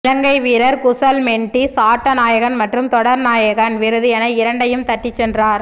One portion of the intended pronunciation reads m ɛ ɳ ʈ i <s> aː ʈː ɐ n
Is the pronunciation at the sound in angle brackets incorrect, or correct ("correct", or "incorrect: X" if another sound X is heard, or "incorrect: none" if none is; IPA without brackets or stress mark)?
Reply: correct